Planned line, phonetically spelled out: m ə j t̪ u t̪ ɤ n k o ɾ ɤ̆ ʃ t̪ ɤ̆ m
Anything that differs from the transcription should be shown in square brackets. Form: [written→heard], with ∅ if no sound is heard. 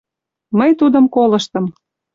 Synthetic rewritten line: m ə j t̪ u [t̪→d̪] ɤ [n→m] k o [ɾ→l] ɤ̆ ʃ t̪ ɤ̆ m